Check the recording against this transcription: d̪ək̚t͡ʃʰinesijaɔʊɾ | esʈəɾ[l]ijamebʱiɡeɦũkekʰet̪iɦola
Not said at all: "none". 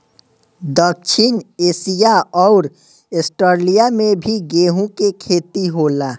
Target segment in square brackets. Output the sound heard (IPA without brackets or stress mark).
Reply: l